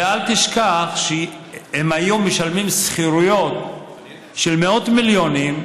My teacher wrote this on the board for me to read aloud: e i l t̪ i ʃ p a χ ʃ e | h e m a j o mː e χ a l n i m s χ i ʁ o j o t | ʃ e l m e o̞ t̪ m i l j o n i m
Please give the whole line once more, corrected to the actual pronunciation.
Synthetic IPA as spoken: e a l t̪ i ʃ k a χ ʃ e | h e m a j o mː e ʃ a l m i m s χ i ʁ u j o t | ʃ e l m e o̞ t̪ m i l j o n i m